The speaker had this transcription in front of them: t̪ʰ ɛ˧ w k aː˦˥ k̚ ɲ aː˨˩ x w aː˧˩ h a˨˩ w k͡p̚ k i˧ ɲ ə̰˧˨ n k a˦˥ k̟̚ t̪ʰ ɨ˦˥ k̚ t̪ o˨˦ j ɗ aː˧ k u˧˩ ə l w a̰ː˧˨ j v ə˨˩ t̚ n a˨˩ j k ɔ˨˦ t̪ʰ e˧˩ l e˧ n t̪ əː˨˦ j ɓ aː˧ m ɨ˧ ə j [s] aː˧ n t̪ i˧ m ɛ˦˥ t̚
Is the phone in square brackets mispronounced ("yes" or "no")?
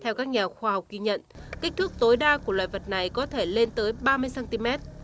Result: no